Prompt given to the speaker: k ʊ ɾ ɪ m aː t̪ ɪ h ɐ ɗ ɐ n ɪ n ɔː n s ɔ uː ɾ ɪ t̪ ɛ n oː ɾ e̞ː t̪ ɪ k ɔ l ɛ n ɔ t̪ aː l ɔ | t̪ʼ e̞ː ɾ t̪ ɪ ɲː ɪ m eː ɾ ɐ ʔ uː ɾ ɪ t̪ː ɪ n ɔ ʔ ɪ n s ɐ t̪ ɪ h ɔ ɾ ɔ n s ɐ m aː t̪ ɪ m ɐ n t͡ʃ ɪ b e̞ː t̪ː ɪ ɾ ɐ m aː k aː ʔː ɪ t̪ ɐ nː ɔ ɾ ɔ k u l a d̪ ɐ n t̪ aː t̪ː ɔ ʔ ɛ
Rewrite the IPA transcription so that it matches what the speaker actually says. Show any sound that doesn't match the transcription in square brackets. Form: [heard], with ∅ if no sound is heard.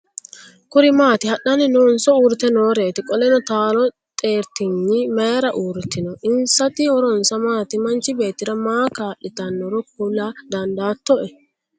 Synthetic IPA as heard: k ʊ ɾ ɪ m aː t̪ ɪ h ɐ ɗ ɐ n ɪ n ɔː n s ɔ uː ɾ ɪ t̪ ɛ n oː ɾ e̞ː t̪ ɪ [kʼ] ɔ l ɛ n ɔ t̪ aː l ɔ | t̪ʼ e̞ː ɾ t̪ ɪ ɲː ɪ m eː ɾ ɐ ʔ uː ɾ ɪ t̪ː ɪ n ɔ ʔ ɪ n s ɐ t̪ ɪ h ɔ ɾ ɔ n s ɐ m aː t̪ ɪ m ɐ n t͡ʃ ɪ b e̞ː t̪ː ɪ ɾ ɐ m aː k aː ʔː ɪ t̪ ɐ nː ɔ ɾ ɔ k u l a d̪ ɐ n [d̪] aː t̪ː ɔ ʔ ɛ